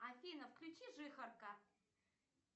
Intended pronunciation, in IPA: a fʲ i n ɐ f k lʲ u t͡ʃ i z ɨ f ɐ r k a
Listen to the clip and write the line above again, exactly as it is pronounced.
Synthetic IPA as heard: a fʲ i n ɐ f k lʲ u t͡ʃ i ʐ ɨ x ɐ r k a

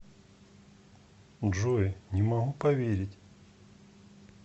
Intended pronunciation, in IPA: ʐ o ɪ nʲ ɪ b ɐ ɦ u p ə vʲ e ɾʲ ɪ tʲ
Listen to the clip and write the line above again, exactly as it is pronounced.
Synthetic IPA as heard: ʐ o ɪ nʲ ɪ m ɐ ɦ u p ɐ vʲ e ɾʲ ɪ tʲ

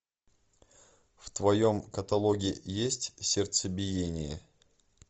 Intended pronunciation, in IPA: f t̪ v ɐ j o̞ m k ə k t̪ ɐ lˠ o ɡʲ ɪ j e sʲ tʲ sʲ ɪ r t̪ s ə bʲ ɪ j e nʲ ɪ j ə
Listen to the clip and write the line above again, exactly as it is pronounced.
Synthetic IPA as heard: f t̪ v ɐ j o̞ m k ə t̪ ɐ lˠ o ɡʲ ɪ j e sʲ tʲ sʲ ɪ r t̪ s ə bʲ ɪ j e nʲ ɪ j ə

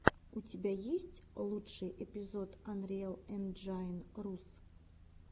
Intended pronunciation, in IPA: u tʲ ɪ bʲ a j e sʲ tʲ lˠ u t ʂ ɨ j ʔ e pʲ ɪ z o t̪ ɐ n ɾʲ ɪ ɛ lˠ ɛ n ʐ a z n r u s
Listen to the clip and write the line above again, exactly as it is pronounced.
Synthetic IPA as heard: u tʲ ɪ bʲ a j e sʲ tʲ lˠ u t ʂ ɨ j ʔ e pʲ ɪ z o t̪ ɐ n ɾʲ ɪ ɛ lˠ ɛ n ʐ a n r u s

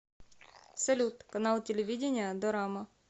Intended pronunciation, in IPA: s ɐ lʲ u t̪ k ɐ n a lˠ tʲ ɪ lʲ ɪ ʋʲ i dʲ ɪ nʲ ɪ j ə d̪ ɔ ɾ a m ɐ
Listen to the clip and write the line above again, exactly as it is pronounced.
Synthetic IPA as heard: s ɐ lʲ u t̪ k ɐ n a lˠ tʲ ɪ lʲ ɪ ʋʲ i dʲ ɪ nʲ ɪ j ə d̪ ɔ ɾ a m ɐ

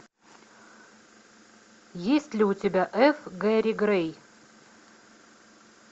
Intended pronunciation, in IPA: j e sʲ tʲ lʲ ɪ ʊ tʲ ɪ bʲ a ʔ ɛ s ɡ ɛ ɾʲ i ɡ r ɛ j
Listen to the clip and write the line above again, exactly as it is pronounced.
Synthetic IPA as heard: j e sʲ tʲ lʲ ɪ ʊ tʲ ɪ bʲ a ʔ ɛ f ɡ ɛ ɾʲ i ɡ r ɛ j

